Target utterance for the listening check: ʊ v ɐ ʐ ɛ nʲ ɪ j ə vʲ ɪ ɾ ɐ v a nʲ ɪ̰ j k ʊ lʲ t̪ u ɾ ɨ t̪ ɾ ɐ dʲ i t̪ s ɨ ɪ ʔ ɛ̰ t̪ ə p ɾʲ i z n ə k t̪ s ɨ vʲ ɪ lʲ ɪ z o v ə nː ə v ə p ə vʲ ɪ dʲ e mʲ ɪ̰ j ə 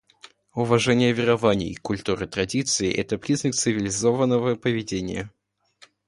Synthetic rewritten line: ʊ v ɐ ʐ ɛ nʲ ɪ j ə vʲ ɪ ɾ ɐ v a nʲ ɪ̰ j k ʊ lʲ t̪ u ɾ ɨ t̪ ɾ ɐ dʲ i t̪ s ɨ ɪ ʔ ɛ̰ t̪ ə p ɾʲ i z n ə k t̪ s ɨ vʲ ɪ lʲ ɪ z o v ə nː ə v ə p ə vʲ ɪ dʲ e nʲ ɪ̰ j ə